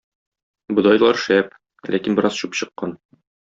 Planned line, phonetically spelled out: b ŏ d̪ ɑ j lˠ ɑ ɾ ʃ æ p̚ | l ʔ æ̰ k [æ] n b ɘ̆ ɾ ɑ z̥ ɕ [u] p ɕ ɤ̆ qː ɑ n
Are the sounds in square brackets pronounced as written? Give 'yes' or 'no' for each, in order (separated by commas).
no, yes